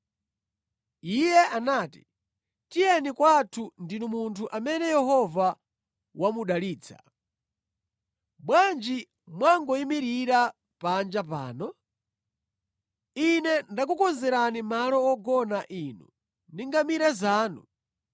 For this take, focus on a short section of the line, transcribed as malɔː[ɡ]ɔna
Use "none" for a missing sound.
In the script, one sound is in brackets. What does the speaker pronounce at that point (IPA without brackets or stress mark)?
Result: ɡ